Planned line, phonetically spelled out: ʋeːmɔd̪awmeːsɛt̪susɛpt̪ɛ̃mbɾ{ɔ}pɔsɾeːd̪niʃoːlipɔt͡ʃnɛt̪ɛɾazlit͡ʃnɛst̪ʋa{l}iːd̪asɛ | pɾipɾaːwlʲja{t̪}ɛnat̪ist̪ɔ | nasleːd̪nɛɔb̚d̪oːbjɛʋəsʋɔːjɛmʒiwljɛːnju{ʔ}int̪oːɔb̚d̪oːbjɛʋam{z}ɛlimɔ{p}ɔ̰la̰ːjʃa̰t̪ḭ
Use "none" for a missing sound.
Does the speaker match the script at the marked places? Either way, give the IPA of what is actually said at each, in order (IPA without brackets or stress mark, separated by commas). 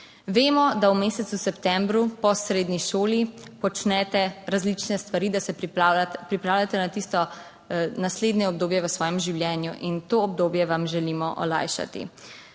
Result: u, ɾ, t̪, ʔ, ʒ, ʔ